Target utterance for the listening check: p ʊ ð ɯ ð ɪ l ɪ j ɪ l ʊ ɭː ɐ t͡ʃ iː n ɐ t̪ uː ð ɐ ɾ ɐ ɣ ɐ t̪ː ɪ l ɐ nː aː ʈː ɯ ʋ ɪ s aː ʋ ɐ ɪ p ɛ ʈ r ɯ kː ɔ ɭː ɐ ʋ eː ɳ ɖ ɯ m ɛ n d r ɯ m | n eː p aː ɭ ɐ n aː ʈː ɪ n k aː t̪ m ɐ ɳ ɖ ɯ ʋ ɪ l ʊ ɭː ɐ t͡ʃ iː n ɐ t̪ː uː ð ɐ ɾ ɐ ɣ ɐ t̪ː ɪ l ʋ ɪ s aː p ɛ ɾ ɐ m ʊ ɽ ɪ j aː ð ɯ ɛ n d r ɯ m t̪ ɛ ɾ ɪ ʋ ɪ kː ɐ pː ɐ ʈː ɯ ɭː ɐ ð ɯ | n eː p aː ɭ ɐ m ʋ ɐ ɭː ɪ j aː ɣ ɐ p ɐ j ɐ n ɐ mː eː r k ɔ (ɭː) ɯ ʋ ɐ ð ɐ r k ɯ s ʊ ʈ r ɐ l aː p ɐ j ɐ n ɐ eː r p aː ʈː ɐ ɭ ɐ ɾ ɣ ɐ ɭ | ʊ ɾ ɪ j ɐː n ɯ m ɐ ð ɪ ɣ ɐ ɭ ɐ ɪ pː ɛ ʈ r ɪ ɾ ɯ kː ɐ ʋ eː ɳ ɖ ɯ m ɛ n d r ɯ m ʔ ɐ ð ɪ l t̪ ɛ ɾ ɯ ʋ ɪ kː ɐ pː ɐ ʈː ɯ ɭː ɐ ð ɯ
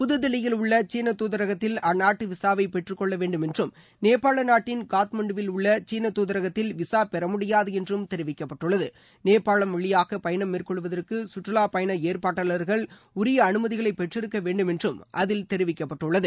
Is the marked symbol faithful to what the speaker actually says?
no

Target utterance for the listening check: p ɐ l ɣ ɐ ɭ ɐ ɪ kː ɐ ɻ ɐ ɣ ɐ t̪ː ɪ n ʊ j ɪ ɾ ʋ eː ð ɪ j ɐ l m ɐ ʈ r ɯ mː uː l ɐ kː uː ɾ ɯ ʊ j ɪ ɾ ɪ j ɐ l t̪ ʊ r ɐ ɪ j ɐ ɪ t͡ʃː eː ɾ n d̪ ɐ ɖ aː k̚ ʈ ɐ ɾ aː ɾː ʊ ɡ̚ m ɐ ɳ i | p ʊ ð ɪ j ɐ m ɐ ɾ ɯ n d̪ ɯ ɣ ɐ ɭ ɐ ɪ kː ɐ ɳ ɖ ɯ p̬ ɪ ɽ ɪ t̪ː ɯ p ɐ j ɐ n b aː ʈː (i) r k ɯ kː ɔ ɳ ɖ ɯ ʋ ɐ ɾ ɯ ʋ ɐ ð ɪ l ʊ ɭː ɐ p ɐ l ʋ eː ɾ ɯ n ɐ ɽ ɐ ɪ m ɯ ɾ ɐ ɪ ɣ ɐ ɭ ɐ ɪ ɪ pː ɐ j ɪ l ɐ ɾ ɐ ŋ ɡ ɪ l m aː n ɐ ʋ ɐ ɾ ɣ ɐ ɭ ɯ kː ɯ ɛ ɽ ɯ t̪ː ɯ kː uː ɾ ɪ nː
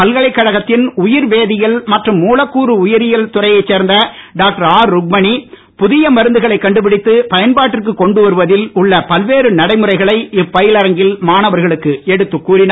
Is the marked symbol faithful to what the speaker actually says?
no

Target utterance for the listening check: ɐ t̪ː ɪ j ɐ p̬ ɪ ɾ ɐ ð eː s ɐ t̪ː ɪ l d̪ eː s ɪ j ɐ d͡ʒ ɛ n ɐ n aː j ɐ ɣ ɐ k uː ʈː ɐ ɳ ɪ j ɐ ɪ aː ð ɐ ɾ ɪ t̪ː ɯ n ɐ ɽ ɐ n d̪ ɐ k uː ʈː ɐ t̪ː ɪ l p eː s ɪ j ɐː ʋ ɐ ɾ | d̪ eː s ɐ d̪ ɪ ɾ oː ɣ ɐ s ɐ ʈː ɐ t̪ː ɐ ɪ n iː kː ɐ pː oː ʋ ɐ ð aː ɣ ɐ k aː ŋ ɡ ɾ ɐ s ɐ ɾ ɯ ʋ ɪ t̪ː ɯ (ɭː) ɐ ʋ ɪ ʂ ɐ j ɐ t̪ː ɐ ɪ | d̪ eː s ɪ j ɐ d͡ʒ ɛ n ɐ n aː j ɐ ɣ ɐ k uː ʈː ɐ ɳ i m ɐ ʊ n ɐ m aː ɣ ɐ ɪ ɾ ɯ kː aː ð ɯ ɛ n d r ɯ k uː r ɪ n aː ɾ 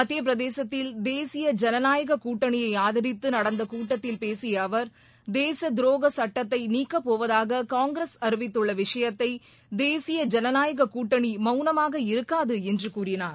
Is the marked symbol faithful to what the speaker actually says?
yes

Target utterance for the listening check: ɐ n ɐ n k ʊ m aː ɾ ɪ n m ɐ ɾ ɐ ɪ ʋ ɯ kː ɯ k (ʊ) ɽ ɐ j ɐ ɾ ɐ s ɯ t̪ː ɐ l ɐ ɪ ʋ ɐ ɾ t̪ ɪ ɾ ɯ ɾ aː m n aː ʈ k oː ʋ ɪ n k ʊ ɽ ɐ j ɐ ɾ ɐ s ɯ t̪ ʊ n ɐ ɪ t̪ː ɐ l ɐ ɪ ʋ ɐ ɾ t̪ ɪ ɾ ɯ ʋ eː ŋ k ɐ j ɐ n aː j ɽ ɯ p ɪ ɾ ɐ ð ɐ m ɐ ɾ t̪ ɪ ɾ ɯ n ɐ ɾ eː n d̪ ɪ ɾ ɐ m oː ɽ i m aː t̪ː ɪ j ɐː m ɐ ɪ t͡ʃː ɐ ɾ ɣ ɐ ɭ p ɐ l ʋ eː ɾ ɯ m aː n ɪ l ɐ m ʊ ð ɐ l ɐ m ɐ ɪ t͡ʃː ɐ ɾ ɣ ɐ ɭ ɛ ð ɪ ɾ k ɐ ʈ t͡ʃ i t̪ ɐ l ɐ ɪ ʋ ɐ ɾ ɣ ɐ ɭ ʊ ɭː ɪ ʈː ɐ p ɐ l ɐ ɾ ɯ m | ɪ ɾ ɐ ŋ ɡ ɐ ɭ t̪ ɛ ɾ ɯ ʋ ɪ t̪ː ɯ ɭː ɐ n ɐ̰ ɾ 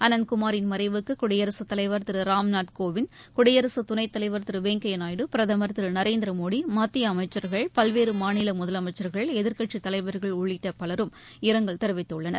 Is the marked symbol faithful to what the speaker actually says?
yes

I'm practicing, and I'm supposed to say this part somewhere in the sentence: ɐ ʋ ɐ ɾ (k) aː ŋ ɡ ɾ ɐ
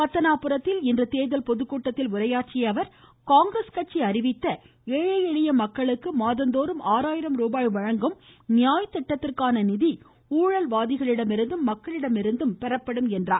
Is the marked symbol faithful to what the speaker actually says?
yes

